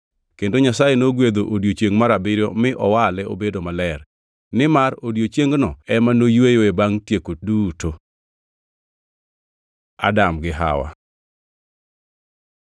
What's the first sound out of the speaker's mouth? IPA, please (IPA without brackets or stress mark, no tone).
k